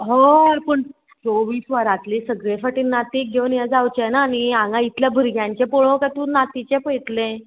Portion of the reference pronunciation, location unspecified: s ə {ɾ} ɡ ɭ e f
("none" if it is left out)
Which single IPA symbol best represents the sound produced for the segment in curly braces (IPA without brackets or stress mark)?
none